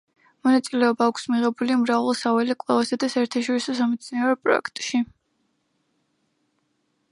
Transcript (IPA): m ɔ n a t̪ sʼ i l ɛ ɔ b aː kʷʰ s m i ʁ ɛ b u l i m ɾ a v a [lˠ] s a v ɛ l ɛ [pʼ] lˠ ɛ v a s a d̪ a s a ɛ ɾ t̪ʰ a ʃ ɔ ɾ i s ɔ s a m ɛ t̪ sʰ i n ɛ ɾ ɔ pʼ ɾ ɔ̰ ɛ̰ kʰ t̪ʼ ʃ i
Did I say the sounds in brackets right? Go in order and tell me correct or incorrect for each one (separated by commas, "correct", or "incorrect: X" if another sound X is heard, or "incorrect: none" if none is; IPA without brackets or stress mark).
correct, incorrect: kʼ